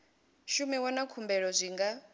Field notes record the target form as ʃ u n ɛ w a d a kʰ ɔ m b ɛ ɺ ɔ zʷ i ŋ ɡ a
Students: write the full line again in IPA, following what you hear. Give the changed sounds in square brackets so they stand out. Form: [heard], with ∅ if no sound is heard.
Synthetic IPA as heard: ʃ u [m] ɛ w a [n] a kʰ [u] m b ɛ ɺ ɔ zʷ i ŋ ɡ a